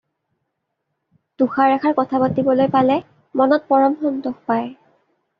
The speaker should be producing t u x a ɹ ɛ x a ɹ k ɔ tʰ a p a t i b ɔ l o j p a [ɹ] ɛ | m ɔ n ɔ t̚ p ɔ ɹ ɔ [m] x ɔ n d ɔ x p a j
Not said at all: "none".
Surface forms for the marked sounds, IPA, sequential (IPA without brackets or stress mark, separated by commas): l, m